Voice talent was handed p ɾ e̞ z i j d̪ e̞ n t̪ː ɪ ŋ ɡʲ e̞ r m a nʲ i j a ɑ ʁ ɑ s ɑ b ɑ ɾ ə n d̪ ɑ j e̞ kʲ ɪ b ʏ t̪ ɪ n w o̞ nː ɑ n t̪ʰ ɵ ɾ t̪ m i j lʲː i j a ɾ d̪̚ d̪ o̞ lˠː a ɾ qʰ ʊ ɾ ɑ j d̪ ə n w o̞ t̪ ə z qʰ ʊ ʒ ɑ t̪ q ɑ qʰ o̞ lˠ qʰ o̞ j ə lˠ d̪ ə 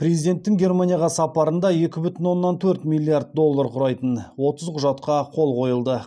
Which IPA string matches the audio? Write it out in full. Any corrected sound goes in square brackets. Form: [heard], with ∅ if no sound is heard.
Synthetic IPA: p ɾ e̞ z i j d̪ e̞ n t̪ː ɪ ŋ ɡʲ e̞ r m a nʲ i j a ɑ ʁ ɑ s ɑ [p] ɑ ɾ ə n d̪ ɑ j e̞ kʲ ɪ b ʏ t̪ ɪ n w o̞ nː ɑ n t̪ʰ ɵ ɾ t̪ m i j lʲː i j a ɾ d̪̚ d̪ o̞ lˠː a ɾ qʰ ʊ ɾ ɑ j [t̪] ə n w o̞ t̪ ə z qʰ ʊ ʒ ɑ t̪ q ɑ qʰ o̞ lˠ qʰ o̞ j ə lˠ d̪ ə